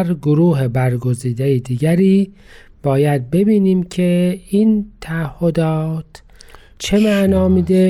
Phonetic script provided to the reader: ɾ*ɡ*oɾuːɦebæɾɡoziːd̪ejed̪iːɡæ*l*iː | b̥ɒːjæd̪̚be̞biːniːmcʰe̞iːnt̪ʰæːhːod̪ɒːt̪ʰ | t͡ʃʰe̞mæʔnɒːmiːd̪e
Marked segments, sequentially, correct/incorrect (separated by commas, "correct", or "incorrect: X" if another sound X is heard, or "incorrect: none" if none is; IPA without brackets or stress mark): correct, incorrect: ɾ